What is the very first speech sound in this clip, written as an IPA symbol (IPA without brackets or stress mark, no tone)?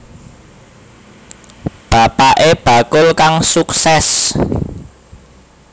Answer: b̥